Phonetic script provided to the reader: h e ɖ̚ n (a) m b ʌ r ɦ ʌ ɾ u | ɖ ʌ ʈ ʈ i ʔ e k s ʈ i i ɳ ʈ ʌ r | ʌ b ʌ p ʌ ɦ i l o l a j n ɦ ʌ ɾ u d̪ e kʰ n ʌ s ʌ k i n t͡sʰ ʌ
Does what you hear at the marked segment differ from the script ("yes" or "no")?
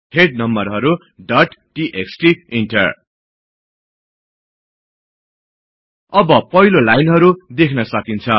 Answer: yes